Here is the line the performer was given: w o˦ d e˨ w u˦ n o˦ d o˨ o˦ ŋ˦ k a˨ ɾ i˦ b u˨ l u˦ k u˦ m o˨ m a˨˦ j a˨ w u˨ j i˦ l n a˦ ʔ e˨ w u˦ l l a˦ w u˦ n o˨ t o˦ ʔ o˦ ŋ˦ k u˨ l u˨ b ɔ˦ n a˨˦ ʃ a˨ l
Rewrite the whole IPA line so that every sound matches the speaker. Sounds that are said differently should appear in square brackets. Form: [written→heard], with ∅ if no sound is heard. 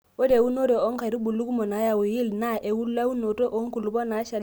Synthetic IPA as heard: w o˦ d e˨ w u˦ n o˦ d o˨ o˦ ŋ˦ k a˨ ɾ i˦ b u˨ l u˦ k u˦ m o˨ [m→n] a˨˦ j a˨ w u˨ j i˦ l n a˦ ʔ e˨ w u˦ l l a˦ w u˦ n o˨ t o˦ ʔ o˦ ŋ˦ k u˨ l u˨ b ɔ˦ n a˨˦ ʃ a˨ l